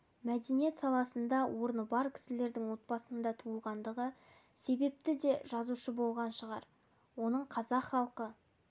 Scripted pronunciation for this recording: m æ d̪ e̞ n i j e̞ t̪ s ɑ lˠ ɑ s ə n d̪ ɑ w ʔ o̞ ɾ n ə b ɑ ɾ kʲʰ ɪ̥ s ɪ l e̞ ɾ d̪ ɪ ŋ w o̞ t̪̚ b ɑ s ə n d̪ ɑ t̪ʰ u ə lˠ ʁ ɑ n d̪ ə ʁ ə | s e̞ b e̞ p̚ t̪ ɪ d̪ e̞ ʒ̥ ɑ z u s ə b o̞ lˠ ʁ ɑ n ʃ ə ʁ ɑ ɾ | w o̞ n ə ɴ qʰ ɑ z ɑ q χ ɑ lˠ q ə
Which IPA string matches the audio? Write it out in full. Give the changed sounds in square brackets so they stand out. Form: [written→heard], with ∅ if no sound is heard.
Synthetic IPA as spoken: m æ d̪ e̞ n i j e̞ t̪ s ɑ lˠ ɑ s ə n d̪ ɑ w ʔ o̞ ɾ n ə b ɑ ɾ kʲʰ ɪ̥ s ɪ l e̞ ɾ d̪ ɪ ŋ w o̞ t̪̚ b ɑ s ə n d̪ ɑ t̪ʰ u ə lˠ ʁ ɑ n d̪ ə ʁ ə | s e̞ b e̞ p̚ t̪ ɪ d̪ e̞ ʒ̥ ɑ z u [s→ʃ] ə b o̞ lˠ ʁ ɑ n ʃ ə ʁ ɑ ɾ | w o̞ n ə ɴ qʰ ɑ z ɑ q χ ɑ lˠ q ə